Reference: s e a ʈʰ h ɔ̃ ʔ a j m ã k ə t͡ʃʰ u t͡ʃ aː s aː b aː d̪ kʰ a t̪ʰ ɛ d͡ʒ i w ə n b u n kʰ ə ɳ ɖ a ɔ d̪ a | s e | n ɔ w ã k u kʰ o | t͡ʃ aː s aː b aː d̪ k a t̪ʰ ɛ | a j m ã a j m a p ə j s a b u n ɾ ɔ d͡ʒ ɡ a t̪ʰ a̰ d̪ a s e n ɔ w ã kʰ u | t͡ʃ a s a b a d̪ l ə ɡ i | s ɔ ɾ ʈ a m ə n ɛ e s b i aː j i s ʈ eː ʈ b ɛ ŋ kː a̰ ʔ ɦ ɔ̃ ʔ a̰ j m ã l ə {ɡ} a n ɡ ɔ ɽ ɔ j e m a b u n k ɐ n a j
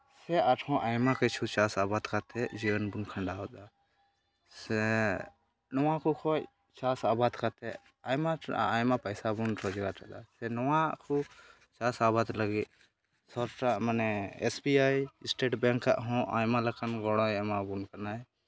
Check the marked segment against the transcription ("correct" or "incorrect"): incorrect